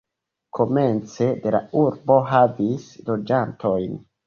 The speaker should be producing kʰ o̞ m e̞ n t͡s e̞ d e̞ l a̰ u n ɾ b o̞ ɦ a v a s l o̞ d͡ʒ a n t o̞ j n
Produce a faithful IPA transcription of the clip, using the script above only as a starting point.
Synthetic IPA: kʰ o̞ m e̞ n t͡s e̞ d e̞ l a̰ u ɾ b o̞ ɦ a v i s l o̞ d͡ʒ a n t o̞ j n